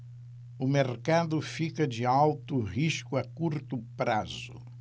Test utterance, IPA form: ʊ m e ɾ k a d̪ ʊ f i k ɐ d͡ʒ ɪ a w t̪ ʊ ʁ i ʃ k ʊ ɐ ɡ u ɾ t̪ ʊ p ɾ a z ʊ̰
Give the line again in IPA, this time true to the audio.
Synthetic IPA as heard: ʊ m e ɾ k a d̪ ʊ f i k ɐ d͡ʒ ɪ a w t̪ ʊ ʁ i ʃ k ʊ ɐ k u ɾ t̪ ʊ p ɾ a z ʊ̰